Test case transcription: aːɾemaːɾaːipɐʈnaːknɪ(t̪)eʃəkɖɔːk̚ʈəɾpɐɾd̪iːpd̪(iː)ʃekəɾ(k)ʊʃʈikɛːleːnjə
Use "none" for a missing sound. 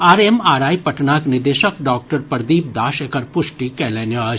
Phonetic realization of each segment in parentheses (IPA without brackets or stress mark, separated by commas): d̪, aː, p